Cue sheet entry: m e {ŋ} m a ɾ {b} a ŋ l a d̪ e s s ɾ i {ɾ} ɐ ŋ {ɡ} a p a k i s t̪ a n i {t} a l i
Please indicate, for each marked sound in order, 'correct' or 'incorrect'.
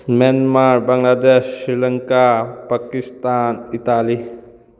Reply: incorrect: n, correct, incorrect: l, incorrect: k, correct

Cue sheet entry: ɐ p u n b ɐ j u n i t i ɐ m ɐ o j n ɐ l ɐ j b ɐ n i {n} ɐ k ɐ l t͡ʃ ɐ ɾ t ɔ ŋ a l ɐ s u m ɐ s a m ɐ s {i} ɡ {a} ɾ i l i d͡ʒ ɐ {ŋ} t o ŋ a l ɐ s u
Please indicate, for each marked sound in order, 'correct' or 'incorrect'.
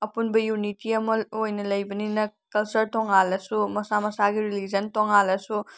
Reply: correct, incorrect: a, incorrect: i, incorrect: n

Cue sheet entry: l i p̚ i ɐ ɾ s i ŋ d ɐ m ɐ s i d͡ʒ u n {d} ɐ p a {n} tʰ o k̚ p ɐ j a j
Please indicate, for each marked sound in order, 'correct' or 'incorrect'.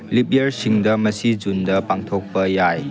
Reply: correct, incorrect: ŋ

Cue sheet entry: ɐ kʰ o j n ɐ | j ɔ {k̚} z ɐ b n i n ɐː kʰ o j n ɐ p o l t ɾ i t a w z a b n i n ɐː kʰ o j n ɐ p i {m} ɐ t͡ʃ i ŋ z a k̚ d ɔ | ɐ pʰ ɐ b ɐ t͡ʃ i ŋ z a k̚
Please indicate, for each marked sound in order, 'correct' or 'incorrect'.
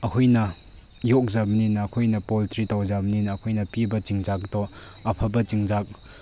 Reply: correct, incorrect: b

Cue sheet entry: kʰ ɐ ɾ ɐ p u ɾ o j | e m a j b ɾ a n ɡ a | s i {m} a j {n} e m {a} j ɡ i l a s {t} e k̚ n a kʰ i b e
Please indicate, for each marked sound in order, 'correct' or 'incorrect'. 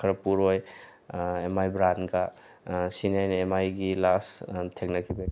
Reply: incorrect: n, correct, correct, incorrect: tʰ

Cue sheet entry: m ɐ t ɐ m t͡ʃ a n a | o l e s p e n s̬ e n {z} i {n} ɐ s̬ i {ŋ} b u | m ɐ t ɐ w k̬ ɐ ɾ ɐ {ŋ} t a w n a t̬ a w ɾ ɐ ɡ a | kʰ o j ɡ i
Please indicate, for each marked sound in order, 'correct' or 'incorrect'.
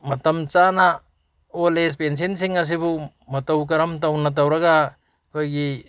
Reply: incorrect: s, incorrect: ŋ, incorrect: none, incorrect: m

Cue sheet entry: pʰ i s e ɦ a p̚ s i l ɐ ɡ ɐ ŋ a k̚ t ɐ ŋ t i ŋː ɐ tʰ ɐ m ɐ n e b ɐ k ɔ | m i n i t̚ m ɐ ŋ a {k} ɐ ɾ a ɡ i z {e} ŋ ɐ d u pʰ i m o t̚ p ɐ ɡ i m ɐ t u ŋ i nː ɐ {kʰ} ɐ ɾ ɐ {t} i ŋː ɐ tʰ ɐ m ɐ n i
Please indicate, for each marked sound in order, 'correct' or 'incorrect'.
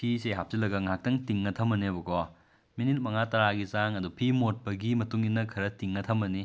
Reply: incorrect: t, incorrect: a, correct, correct

